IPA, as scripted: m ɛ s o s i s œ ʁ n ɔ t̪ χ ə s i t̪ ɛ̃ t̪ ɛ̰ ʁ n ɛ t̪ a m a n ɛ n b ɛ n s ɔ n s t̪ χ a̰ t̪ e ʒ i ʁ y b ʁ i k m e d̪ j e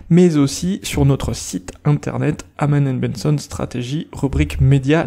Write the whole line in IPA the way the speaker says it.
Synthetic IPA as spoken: m ɛ z o s i s y ʁ n ɔ t̪ χ ə s i t̪ ɛ̃ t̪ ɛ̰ ʁ n ɛ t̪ a m a n ɛ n b ɛ n s ɔ n s t̪ χ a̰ t̪ e ʒ i ʁ y b ʁ i k m e d̪ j a

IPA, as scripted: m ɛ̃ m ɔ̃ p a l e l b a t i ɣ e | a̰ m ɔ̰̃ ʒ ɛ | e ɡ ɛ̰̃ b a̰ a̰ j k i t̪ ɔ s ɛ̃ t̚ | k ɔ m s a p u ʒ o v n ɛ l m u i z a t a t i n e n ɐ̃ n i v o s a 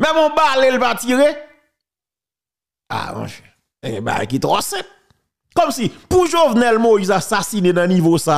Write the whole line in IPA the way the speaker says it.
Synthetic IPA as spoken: m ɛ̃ m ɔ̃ b a l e l p a t i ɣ e | a̰ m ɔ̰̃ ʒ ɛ | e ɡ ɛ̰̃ b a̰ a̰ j k i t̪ ɔ s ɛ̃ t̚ | k ɔ m s i p u ʒ o v n ɛ l m o i z a s a s i n e n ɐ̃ n i v o s a

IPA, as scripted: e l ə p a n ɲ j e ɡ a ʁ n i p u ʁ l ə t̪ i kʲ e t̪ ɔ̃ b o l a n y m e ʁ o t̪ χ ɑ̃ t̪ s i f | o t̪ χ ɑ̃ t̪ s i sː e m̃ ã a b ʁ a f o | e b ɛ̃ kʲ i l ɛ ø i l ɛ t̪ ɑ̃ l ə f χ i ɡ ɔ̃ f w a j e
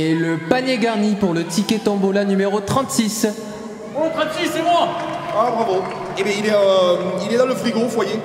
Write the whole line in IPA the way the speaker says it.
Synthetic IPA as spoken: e l ə p a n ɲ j e ɡ a ʁ n i p u ʁ l ə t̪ i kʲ e t̪ ɔ̃ b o l a n y m e ʁ o t̪ χ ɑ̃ t̪ s i s | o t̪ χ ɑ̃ t̪ s i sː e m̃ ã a b ʁ a v o | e b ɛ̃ i l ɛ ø i l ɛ d̪ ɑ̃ l ə f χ i ɡ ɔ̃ f w a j e

